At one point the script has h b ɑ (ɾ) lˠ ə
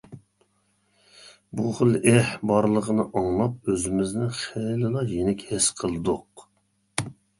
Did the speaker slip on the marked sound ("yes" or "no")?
no